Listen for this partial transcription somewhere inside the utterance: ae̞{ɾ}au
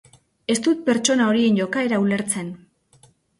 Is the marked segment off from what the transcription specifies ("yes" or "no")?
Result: no